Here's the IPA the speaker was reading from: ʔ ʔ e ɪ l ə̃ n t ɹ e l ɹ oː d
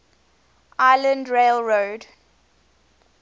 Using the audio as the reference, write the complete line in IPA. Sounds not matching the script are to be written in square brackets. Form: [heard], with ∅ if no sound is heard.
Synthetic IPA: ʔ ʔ [a] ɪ l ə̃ n [d] ɹ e l ɹ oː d

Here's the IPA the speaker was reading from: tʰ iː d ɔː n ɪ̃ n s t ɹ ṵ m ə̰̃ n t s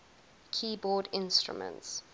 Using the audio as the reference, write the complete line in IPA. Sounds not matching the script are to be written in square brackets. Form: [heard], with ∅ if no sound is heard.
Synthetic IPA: [kʰ] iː [b] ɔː [d] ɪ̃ n s t ɹ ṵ m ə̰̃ n t s

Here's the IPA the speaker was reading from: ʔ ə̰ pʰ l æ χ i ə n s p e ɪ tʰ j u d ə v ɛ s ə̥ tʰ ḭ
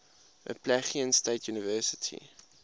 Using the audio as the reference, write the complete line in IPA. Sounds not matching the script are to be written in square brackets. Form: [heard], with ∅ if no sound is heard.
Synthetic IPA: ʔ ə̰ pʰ l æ χ i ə n s [t] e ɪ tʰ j u [n] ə v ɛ s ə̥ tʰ ḭ

